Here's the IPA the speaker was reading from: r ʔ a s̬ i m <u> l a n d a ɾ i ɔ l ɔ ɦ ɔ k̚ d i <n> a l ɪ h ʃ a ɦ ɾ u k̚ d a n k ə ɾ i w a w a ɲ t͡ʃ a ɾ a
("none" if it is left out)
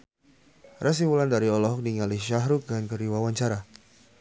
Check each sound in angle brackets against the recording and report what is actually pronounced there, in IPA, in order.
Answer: u, ŋ

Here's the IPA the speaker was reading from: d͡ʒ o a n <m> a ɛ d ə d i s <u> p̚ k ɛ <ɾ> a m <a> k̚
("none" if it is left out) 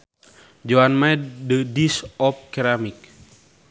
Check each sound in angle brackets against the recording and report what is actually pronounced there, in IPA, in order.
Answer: m, ɔ, ɾ, i

